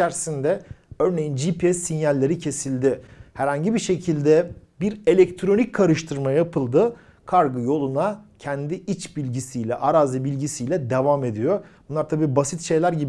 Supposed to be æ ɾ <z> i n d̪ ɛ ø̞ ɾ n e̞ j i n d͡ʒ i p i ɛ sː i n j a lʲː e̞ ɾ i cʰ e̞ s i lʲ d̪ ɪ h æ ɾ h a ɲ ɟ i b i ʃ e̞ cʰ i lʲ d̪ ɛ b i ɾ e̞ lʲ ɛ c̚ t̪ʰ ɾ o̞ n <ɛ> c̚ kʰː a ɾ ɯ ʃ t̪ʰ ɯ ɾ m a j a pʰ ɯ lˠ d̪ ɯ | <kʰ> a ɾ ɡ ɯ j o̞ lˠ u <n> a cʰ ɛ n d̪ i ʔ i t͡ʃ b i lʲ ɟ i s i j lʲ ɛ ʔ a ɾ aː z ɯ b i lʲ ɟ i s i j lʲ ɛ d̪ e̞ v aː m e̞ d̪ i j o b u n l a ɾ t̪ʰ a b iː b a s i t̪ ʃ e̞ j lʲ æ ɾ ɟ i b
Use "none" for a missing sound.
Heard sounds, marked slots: s, i, kʰ, n

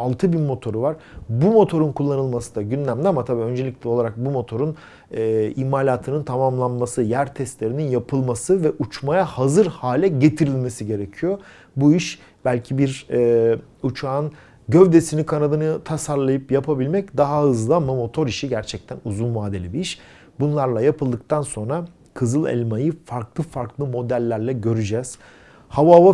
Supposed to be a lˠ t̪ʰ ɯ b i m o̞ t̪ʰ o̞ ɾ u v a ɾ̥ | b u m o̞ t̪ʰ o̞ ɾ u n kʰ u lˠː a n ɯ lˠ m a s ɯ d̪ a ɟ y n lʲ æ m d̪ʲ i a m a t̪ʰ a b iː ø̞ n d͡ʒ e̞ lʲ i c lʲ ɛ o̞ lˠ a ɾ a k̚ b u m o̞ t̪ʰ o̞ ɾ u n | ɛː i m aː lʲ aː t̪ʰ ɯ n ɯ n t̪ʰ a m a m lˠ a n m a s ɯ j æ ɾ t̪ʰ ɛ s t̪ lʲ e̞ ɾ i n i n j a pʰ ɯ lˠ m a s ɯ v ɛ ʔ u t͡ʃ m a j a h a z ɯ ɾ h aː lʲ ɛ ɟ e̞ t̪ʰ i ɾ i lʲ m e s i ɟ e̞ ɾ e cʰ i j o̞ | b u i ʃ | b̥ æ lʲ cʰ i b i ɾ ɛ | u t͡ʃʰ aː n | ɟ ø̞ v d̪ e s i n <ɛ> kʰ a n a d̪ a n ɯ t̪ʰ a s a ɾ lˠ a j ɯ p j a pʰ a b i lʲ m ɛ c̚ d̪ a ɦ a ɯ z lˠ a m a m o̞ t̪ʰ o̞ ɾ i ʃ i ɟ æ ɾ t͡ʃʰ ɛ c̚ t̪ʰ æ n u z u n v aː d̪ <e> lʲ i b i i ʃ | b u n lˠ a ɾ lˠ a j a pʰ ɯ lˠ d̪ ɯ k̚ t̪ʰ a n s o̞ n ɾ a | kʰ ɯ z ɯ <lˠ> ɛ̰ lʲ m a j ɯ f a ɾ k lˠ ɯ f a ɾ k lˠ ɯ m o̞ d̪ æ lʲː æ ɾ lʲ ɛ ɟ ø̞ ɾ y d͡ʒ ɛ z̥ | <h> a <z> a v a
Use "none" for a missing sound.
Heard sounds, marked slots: i, e, lˠ, h, v

